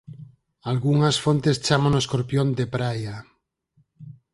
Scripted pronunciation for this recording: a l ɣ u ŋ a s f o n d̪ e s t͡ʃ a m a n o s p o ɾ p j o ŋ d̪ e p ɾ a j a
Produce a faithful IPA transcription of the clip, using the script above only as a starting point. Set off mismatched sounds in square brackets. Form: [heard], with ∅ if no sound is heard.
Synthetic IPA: a l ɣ u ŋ a s f o n [t̪] e s t͡ʃ a m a n o s [k] o ɾ p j o [n] d̪ e p ɾ a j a